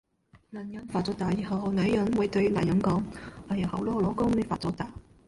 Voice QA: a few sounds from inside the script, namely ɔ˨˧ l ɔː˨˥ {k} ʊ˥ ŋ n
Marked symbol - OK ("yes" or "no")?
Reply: yes